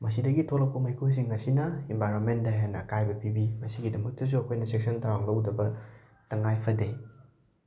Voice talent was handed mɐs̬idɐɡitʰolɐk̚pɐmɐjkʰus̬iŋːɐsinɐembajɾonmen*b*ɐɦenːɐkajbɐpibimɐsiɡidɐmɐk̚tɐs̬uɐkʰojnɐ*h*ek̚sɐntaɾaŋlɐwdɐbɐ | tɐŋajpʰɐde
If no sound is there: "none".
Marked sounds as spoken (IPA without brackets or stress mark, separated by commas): d, s